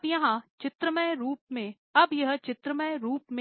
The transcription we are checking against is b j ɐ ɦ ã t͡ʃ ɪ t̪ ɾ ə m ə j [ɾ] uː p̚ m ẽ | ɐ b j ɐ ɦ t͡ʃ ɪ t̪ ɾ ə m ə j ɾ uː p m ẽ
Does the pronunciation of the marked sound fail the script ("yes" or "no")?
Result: no